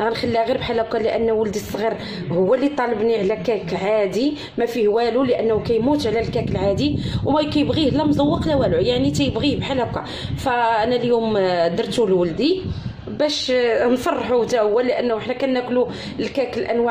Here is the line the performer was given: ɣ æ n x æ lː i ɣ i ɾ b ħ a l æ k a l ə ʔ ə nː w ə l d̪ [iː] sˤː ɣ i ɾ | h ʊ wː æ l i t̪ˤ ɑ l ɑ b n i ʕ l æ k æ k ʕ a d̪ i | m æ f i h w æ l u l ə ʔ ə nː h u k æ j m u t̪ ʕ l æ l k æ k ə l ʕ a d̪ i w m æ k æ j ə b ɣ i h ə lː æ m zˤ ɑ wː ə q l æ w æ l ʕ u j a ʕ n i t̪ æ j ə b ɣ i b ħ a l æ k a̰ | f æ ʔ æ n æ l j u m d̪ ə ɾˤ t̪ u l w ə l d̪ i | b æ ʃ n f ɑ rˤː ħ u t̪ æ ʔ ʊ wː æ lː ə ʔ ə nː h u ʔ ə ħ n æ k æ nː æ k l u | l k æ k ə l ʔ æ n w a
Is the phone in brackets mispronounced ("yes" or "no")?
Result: yes